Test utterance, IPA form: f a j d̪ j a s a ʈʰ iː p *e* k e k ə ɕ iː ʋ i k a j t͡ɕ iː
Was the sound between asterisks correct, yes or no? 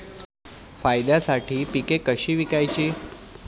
no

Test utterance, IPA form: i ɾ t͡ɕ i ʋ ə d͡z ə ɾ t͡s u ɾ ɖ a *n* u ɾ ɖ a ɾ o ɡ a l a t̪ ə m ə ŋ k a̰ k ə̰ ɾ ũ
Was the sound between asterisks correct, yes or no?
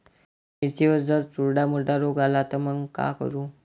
no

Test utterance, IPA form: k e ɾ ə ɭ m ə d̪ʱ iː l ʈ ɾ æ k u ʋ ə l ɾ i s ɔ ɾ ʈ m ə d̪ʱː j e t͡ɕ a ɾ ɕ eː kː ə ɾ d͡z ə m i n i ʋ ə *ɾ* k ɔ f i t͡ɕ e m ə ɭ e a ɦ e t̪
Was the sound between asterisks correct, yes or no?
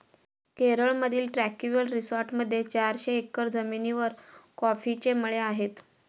yes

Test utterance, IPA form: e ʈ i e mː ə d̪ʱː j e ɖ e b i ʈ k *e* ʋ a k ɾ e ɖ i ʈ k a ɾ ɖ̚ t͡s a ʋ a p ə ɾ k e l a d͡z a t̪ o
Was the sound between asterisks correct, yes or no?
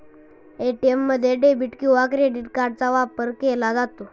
no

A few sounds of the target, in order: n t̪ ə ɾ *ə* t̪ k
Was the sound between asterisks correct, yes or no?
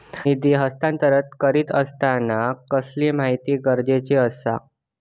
yes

